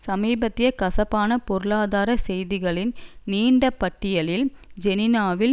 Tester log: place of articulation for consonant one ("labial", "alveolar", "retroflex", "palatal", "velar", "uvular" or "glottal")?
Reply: alveolar